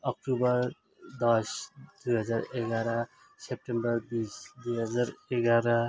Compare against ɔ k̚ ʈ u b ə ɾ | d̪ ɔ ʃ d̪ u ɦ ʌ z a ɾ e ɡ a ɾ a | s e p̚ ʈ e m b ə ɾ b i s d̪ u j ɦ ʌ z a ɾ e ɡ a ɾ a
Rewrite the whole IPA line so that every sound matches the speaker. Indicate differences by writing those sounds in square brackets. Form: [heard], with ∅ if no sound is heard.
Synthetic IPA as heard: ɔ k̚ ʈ u b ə ɾ | d̪ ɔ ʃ d̪ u ɦ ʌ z a ɾ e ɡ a ɾ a | s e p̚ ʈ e m b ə ɾ b i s d̪ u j ɦ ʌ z a ɾ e ɡ a ɾ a